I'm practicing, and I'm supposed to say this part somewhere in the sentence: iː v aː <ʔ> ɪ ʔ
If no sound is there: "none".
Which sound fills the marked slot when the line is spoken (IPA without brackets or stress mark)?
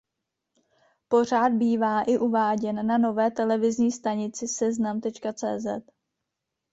ʔ